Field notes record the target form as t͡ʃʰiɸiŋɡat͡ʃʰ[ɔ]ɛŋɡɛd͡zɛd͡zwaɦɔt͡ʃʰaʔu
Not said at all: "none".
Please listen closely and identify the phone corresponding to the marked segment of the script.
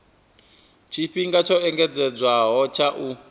ɔ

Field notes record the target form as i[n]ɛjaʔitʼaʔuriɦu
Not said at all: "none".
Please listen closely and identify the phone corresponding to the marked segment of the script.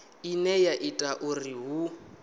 n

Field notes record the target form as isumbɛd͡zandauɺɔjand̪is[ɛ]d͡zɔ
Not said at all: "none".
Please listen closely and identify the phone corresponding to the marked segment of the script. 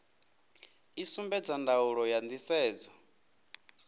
ɛː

